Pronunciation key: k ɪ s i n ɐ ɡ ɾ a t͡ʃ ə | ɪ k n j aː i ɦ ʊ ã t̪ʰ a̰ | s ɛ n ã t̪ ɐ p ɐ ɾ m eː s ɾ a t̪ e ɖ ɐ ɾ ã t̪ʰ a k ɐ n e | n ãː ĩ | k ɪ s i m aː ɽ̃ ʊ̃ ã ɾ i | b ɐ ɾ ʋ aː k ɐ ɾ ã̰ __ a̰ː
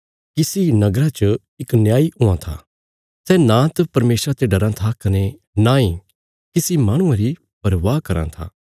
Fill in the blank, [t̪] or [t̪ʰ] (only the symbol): t̪ʰ